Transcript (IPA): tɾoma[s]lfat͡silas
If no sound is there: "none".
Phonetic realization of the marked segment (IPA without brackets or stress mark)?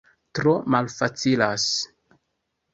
none